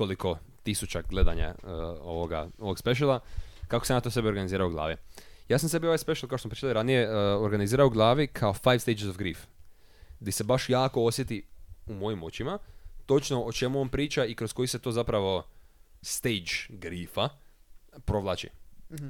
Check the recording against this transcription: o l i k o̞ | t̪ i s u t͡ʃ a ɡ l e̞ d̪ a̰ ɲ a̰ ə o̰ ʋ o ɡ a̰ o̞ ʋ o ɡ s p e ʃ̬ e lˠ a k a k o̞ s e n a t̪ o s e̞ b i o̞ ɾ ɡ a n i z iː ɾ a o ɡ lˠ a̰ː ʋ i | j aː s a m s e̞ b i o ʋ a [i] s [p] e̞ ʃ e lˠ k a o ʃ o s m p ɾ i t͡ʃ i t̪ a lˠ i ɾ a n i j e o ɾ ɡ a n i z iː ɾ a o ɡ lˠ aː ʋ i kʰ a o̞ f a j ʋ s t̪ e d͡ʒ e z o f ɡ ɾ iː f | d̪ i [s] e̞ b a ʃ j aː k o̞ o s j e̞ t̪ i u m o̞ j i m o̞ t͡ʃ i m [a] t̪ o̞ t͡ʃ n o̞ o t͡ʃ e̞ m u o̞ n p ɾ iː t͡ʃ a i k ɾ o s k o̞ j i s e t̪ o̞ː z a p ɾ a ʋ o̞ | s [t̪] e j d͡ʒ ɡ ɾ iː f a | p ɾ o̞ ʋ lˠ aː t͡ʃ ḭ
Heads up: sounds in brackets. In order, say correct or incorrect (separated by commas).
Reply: incorrect, correct, correct, correct, correct